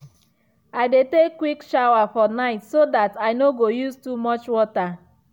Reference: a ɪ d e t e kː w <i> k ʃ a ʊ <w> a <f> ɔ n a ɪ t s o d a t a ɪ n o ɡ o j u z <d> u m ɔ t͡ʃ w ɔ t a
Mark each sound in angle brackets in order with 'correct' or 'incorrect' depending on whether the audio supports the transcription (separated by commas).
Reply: correct, correct, correct, incorrect